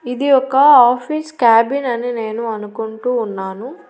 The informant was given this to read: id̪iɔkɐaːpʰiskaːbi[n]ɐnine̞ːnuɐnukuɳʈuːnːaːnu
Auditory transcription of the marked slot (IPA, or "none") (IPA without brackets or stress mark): n